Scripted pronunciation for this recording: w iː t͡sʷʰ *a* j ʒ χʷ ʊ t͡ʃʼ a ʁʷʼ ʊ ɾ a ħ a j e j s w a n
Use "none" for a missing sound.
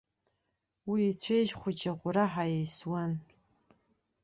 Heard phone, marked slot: e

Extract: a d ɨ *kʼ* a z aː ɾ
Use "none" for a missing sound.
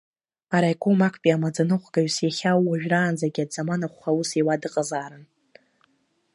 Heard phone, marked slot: qʼ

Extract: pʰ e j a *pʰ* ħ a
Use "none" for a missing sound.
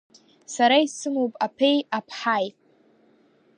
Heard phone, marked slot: pʰ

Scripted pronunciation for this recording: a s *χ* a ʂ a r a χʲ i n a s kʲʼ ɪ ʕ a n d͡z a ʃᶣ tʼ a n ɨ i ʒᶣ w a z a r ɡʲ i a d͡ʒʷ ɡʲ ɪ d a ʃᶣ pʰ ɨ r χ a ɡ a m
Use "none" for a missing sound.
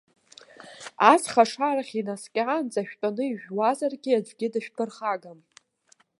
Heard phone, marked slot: χ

